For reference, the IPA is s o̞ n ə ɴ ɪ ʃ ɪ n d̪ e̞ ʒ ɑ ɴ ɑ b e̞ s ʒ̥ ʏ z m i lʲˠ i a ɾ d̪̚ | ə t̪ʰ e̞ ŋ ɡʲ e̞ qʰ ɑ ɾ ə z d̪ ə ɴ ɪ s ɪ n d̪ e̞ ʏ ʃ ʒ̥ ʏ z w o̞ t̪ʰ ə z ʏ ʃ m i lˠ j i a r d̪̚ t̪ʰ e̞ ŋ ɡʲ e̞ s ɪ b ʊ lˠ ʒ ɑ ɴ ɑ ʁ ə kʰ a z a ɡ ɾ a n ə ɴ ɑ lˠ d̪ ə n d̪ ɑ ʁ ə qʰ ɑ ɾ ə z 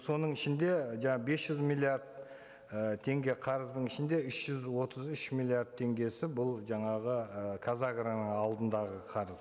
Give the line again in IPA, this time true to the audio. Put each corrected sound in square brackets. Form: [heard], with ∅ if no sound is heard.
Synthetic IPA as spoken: s o̞ n ə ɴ ɪ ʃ ɪ n d̪ e̞ ʒ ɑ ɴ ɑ b e̞ s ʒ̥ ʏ z m i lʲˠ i a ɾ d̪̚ | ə t̪ʰ e̞ ŋ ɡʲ e̞ qʰ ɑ ɾ ə z d̪ ə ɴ ɪ [ʃ] ɪ n d̪ e̞ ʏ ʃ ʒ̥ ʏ z w o̞ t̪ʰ ə z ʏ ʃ m i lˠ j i a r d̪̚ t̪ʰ e̞ ŋ ɡʲ e̞ s ɪ b ʊ lˠ ʒ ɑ ɴ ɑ ʁ ə kʰ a z a ɡ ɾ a n ə ɴ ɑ lˠ d̪ ə n d̪ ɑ ʁ ə qʰ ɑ ɾ ə z